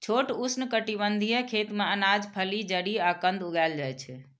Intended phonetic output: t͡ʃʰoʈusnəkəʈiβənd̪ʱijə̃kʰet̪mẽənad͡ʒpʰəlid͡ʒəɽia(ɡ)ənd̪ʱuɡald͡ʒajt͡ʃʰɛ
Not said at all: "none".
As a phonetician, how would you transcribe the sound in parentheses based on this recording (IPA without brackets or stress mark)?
k